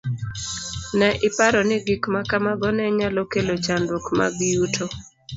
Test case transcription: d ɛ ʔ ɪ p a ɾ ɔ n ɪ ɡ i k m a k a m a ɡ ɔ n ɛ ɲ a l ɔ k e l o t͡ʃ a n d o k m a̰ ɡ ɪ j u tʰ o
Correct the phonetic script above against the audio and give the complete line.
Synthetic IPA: n ɛ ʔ ɪ p a ɾ ɔ n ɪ ɡ i k m a k a m a ɡ ɔ n ɛ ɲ a l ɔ k e l o t͡ʃ a n d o k m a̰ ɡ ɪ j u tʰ o